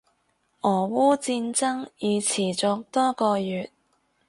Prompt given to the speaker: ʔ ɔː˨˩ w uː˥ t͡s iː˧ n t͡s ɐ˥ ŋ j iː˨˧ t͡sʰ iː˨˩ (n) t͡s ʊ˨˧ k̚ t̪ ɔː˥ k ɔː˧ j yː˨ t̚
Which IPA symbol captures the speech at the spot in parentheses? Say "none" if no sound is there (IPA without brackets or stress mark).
none